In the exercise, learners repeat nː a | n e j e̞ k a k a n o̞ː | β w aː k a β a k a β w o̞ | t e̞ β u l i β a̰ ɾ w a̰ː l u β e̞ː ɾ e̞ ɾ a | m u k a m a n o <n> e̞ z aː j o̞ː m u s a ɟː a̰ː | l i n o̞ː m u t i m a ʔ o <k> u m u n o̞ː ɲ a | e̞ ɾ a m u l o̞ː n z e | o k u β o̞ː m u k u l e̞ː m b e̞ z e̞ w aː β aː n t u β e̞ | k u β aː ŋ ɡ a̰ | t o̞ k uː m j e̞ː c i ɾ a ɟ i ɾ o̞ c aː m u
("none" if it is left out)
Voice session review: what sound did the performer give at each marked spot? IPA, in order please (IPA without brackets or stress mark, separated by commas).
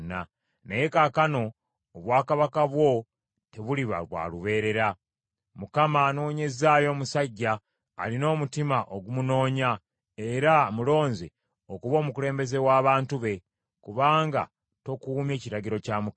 ɲ, ɡ